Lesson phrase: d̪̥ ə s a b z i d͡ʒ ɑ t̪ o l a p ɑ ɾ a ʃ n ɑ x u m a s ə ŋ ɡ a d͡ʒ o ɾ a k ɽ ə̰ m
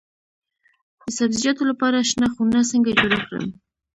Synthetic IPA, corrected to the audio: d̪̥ ə s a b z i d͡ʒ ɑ t̪ o l a p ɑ ɾ a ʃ n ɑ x u n a s ə ŋ ɡ a d͡ʒ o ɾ a k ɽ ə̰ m